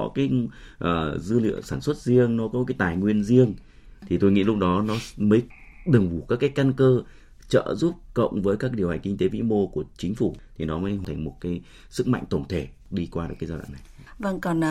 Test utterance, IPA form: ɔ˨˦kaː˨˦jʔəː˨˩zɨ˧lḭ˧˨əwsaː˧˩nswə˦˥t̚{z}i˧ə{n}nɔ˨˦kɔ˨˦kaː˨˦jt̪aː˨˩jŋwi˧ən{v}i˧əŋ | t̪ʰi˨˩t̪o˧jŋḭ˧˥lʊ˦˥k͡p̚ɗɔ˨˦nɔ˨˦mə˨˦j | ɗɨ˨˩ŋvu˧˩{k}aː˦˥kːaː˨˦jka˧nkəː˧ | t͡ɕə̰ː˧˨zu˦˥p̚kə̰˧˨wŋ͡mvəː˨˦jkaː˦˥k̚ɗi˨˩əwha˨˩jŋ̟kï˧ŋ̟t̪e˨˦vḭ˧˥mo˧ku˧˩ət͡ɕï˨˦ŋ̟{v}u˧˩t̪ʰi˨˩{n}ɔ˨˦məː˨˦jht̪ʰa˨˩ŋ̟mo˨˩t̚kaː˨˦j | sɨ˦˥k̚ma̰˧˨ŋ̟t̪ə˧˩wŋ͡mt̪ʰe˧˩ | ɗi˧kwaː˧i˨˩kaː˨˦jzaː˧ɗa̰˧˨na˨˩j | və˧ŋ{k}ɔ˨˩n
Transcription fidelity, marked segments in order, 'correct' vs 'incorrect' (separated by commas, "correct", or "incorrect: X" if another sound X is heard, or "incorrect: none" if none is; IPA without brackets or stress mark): correct, incorrect: ŋ, incorrect: z, correct, incorrect: f, correct, correct